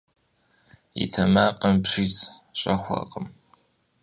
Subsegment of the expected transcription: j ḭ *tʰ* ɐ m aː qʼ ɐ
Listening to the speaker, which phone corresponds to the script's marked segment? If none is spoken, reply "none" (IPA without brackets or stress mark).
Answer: tʰ